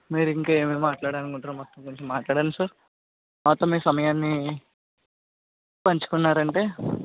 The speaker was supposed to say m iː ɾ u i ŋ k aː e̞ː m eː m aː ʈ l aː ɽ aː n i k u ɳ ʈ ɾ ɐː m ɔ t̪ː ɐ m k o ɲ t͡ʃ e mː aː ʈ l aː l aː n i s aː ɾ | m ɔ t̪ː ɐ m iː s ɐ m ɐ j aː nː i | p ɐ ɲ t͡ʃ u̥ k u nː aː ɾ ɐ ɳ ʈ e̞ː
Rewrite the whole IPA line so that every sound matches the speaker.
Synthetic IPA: m iː ɾ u i ŋ k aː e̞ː m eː m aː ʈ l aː ɽ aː n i k u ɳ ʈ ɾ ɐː m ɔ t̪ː ɐ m k o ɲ t͡ʃ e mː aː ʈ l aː ɽ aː n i s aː ɾ | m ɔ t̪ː ɐ m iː s ɐ m ɐ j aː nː i | p ɐ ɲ t͡ʃ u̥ k u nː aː ɾ ɐ ɳ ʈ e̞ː